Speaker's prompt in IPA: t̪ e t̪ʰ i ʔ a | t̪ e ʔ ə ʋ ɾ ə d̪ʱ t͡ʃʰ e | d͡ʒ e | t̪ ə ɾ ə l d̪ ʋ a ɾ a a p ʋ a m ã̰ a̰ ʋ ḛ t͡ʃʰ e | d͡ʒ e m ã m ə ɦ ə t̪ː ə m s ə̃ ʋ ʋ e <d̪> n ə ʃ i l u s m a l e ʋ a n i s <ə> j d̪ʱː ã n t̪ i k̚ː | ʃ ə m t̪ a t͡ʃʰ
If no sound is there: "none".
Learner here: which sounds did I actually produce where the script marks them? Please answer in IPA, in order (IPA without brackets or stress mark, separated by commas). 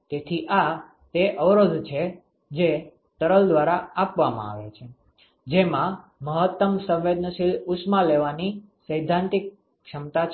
d̪, ə